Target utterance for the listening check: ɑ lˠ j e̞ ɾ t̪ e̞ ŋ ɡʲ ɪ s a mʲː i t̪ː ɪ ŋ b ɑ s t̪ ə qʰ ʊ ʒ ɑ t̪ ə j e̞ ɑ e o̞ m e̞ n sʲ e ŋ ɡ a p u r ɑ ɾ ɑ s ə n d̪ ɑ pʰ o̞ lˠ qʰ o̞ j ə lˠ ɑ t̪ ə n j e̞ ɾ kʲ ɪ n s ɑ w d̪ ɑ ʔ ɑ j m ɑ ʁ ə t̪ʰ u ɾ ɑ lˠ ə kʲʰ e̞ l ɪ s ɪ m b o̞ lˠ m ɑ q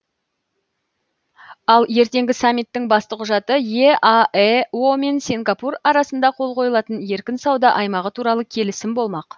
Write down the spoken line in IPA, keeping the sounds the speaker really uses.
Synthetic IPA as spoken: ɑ lˠ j e̞ ɾ t̪ e̞ ŋ ɡʲ ɪ s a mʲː i t̪ː ɪ ŋ b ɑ s t̪ ə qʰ ʊ ʒ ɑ t̪ ə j e̞ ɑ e o̞ m e̞ n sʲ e ŋ ɡ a p u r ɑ ɾ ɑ s ə n d̪ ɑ qʰ o̞ lˠ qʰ o̞ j ə lˠ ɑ t̪ ə n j e̞ ɾ kʲ ɪ n s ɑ w d̪ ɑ ʔ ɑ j m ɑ ʁ ə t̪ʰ u ɾ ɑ lˠ ə kʲʰ e̞ l ɪ s ɪ m b o̞ lˠ m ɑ q